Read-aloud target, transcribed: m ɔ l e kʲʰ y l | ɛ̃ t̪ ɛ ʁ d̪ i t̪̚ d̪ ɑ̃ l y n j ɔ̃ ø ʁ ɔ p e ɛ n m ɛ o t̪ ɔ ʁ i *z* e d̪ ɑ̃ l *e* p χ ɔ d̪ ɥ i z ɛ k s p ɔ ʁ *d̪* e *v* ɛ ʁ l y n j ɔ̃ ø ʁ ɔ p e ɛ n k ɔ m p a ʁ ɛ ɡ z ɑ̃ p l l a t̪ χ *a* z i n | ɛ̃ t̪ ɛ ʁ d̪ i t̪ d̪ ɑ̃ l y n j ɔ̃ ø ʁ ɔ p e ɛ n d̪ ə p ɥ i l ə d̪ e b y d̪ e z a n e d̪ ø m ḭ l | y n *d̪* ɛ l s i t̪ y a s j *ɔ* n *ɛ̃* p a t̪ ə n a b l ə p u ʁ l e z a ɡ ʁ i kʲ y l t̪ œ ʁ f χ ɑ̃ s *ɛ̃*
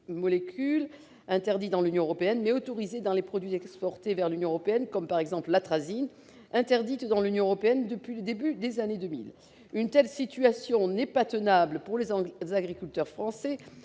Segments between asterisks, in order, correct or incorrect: correct, correct, incorrect: t̪, correct, correct, incorrect: t̪, incorrect: ɔ̃, incorrect: ɛ, incorrect: ɛ

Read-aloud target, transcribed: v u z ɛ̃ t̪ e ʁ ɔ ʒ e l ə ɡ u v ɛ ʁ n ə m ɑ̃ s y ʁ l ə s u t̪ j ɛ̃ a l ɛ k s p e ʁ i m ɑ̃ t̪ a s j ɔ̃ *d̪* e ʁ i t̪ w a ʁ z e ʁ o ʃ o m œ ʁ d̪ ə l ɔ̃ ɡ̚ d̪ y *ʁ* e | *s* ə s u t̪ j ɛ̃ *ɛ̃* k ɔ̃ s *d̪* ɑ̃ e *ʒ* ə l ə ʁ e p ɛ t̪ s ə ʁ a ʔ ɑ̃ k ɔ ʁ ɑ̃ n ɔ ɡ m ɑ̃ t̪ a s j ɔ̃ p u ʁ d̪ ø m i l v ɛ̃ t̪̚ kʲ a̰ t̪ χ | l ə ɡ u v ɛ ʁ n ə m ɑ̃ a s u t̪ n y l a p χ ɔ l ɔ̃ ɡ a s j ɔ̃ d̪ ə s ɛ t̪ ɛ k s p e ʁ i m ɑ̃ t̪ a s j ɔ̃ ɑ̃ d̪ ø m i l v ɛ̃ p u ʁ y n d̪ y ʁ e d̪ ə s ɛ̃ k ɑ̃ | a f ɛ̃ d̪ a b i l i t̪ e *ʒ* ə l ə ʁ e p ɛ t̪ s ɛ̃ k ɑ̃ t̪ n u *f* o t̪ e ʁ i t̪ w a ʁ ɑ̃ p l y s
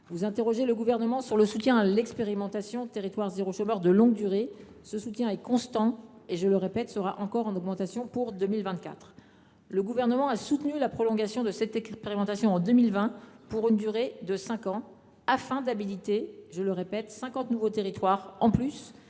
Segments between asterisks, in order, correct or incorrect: incorrect: t̪, correct, correct, incorrect: ɛ, incorrect: t̪, correct, correct, incorrect: v

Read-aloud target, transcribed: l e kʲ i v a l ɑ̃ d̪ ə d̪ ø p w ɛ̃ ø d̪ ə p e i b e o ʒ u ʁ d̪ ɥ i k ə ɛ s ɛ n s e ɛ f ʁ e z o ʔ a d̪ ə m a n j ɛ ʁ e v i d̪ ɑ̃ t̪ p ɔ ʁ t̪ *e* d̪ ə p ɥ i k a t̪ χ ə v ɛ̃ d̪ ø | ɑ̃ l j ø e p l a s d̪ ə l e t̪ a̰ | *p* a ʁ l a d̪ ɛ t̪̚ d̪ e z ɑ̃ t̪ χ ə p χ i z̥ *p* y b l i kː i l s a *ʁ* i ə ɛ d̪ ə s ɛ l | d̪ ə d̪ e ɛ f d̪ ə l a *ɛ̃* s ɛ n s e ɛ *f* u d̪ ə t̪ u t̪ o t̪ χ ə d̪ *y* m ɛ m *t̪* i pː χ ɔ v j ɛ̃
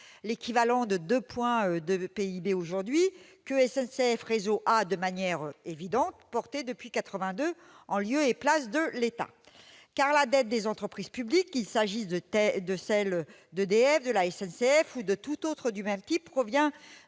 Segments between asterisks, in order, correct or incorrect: correct, incorrect: k, correct, incorrect: ʒ, incorrect: ɛ, correct, correct, correct

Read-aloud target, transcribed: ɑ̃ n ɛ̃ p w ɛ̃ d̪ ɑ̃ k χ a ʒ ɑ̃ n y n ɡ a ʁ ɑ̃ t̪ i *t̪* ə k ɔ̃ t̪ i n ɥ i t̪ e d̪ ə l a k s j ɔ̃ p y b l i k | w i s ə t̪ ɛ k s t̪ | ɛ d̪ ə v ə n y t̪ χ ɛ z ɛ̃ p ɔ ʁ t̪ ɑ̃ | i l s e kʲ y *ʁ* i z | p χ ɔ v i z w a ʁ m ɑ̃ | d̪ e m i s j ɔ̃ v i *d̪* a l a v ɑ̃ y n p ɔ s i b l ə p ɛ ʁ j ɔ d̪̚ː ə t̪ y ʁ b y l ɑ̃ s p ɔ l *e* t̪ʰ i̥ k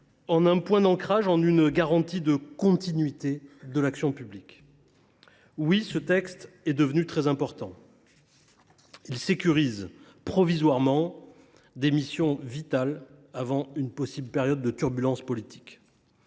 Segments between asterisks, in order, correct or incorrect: incorrect: d̪, correct, incorrect: t̪, incorrect: i

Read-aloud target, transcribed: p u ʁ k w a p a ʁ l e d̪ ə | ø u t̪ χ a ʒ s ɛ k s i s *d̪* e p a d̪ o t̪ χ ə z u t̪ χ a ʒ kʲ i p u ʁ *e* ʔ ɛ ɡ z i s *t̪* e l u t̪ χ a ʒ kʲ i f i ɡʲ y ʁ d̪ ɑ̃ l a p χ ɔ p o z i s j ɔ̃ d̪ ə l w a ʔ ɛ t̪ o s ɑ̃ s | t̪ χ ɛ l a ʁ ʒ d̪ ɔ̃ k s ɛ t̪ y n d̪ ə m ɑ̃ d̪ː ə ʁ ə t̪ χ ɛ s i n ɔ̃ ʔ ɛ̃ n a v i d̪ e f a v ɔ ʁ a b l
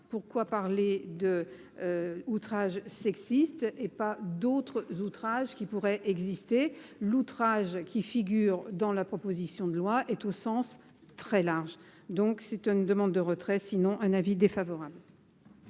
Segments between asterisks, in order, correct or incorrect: incorrect: t̪, incorrect: ɛ, correct

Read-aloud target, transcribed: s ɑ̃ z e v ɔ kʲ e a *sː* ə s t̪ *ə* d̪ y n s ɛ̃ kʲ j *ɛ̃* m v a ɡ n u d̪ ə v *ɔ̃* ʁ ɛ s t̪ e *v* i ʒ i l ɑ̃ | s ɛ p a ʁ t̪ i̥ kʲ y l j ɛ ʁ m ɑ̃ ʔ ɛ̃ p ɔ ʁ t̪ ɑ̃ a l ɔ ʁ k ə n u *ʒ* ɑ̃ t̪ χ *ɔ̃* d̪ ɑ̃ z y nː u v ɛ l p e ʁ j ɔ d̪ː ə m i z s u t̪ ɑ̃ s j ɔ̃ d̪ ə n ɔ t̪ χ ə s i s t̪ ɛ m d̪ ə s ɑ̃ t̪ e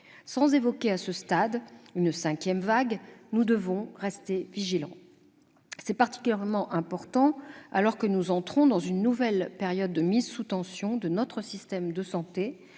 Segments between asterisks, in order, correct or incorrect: incorrect: s, incorrect: a, incorrect: ɛ, correct, correct, incorrect: z, correct

